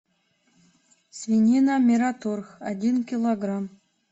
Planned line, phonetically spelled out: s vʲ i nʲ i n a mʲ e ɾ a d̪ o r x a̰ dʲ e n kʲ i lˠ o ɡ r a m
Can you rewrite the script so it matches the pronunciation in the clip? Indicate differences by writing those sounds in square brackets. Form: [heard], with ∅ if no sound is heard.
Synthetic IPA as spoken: s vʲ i nʲ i n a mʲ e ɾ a [t̪] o r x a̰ dʲ [i] n kʲ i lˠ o ɡ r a m